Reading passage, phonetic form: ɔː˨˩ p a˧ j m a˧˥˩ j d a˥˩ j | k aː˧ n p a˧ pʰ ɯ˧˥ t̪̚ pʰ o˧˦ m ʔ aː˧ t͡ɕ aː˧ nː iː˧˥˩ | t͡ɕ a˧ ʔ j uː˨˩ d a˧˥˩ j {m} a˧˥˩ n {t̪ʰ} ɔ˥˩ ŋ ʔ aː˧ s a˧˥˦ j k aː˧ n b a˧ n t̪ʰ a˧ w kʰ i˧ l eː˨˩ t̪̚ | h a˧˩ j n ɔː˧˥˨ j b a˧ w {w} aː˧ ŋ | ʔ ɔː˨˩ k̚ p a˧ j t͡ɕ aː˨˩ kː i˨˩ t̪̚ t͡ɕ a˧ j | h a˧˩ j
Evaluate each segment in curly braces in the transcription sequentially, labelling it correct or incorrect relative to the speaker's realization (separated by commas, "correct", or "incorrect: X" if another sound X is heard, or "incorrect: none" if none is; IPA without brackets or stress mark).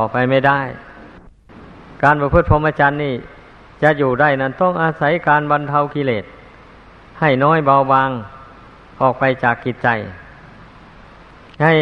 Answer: incorrect: n, incorrect: t̪, incorrect: b